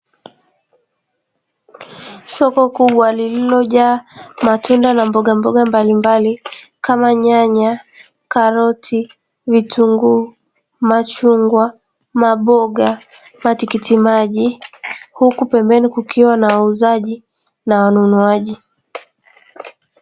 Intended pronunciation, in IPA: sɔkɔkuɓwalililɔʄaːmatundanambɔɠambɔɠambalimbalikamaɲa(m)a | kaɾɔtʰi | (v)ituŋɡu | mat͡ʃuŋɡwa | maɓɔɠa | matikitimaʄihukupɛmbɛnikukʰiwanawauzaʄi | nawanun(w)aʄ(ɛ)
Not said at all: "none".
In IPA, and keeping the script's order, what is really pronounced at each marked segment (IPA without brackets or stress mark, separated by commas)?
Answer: ɲ, v, u, i